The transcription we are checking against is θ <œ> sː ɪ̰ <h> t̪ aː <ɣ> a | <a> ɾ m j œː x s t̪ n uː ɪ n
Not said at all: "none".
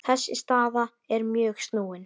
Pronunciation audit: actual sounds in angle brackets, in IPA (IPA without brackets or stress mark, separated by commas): ɛ, s, ð, ɛ